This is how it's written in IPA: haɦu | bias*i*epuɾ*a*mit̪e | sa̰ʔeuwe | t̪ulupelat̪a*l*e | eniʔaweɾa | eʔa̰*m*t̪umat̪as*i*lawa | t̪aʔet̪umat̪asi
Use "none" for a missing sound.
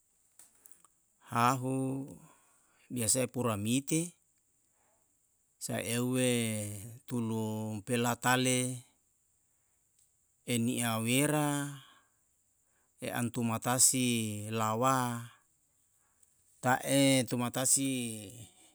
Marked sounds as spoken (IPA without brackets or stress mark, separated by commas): a, a, l, n, i